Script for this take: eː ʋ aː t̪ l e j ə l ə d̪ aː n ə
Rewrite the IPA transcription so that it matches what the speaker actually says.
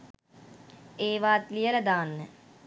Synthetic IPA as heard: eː ʋ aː t̪ l i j ə l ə d̪ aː nː ə